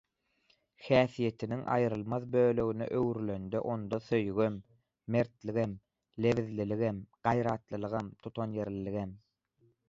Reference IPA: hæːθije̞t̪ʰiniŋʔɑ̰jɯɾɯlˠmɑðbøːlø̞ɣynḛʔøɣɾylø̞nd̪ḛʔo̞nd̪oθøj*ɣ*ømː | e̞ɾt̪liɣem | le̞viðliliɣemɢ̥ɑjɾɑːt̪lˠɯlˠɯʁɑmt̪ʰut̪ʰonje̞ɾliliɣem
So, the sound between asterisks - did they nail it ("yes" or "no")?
yes